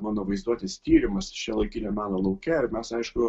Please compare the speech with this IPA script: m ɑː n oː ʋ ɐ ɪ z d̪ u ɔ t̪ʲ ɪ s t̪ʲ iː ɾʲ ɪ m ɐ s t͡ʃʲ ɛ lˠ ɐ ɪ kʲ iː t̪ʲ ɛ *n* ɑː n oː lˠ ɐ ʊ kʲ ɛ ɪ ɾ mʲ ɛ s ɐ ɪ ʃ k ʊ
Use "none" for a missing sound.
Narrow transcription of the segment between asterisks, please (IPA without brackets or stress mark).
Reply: m